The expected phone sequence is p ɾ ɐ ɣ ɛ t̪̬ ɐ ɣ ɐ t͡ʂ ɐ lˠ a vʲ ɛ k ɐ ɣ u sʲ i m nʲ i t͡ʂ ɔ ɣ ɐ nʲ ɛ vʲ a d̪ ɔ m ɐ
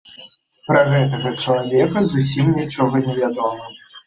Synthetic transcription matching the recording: p ɾ ɐ ɣ ɛ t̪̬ ɐ ɣ ɐ t͡ʂ ɐ lˠ a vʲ ɛ k ɐ z u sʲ i m nʲ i t͡ʂ ɔ ɣ ɐ nʲ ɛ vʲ a d̪ ɔ m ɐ